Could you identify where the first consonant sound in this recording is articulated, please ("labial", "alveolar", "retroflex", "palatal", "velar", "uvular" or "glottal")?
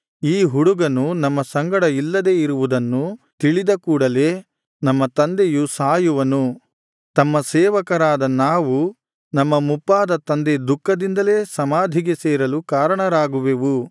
glottal